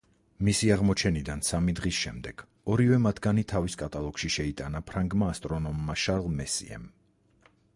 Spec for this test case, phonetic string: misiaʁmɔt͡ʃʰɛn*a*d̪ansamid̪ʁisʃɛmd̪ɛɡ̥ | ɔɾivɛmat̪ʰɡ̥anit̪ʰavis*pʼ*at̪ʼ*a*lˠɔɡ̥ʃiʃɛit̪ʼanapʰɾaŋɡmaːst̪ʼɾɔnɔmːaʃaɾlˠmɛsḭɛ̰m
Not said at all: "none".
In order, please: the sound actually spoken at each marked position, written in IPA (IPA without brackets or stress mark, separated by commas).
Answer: i, kʼ, a